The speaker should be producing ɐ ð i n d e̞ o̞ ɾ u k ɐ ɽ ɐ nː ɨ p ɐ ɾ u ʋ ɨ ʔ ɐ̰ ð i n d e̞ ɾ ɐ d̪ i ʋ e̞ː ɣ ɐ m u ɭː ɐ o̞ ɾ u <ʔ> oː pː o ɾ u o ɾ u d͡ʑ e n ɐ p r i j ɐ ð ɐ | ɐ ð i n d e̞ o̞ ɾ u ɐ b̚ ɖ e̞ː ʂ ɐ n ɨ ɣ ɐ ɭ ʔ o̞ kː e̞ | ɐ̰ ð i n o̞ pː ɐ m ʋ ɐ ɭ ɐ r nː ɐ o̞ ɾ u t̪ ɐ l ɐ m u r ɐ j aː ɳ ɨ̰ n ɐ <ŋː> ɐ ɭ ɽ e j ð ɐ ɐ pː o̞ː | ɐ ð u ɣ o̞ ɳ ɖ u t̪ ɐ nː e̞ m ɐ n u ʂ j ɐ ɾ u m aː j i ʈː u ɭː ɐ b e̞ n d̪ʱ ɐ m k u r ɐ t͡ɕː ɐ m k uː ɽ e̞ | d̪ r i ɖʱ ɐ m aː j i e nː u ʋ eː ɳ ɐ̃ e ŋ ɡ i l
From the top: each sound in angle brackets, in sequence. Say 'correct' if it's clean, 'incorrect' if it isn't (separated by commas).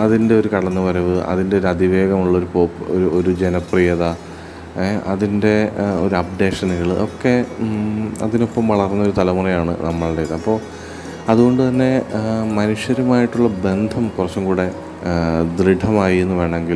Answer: incorrect, incorrect